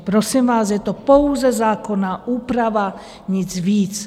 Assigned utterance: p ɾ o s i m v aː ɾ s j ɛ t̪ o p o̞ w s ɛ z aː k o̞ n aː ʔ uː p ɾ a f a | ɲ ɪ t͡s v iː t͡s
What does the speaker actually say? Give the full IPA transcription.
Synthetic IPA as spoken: p ɾ o s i m v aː s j ɛ t̪ o p o̞ w z ɛ z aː k o̞ n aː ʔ uː p ɾ a v a | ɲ ɪ t͡s v iː t͡s